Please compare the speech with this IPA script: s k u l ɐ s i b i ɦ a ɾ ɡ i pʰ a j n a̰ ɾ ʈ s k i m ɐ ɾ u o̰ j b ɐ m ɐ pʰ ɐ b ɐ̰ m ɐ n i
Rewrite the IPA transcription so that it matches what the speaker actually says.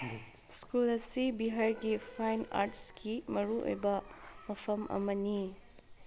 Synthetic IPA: s k u l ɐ s i b i ɦ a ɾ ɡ i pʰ a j n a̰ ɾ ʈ s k i m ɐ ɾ u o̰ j b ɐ m ɐ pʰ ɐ m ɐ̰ m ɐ n i